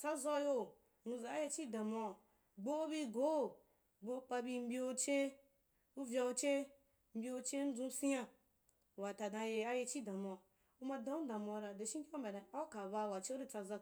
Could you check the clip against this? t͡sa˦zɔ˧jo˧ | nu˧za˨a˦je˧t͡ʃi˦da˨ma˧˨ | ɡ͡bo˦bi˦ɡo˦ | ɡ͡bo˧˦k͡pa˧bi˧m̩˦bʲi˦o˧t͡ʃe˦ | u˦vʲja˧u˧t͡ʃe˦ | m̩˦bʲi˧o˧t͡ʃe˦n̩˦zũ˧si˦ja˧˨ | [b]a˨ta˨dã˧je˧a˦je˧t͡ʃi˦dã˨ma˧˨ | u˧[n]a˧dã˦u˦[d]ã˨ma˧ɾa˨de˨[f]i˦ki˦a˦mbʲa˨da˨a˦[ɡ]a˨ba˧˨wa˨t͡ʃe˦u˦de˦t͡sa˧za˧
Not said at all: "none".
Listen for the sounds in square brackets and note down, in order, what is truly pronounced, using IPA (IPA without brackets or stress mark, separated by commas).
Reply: w, m, d, ʃ, k